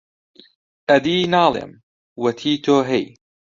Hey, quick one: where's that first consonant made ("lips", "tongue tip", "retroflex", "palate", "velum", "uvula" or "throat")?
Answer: throat